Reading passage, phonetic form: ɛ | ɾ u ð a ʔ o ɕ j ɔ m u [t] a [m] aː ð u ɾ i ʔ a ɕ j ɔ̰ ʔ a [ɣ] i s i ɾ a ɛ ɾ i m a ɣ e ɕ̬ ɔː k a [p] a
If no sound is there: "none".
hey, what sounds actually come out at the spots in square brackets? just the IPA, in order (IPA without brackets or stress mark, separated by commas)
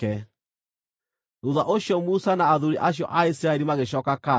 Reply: s, n, none, k